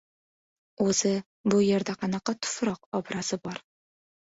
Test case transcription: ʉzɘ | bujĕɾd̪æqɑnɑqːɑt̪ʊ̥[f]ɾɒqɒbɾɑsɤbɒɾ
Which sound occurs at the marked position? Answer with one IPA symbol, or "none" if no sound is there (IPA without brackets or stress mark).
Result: f